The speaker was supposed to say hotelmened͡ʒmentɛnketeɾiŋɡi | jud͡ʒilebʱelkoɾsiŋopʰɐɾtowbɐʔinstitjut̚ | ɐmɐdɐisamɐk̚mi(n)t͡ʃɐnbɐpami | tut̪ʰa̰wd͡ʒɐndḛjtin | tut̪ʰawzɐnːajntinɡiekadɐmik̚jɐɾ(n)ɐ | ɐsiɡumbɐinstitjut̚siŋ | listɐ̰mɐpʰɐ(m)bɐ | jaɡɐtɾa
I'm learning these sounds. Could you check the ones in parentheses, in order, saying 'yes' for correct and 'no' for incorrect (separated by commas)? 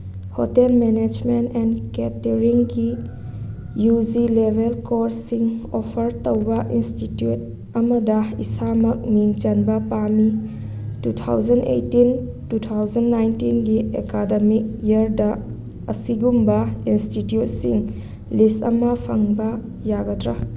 no, no, no